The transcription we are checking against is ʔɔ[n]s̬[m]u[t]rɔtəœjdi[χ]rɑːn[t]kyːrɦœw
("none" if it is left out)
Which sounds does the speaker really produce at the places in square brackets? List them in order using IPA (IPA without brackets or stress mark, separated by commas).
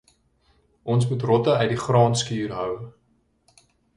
n, m, t, χ, s